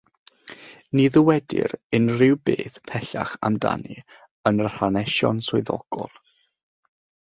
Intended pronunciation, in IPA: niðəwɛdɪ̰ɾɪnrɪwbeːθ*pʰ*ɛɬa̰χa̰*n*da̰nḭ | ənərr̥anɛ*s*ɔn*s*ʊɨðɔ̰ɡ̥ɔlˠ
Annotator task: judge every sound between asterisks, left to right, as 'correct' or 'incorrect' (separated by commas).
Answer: correct, incorrect, incorrect, correct